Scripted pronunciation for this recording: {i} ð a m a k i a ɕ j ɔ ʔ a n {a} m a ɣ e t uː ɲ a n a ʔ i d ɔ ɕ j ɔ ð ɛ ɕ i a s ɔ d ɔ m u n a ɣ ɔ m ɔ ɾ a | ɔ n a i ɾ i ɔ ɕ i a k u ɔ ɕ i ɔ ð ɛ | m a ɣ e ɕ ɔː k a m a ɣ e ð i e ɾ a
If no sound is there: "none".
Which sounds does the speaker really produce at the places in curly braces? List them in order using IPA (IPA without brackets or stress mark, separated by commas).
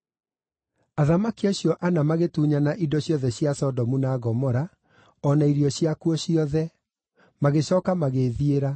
a, a